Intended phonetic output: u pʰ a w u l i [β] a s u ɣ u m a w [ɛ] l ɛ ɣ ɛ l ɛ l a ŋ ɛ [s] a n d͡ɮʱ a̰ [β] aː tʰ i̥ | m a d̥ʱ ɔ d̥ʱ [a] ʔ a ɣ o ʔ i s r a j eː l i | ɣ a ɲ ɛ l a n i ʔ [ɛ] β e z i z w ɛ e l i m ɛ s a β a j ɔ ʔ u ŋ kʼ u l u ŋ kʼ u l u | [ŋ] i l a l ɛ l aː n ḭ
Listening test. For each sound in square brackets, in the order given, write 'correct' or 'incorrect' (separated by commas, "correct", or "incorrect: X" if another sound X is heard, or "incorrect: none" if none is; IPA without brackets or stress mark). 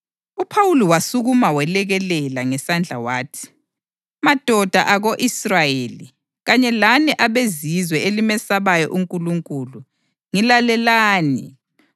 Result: incorrect: w, correct, correct, incorrect: w, correct, incorrect: a, correct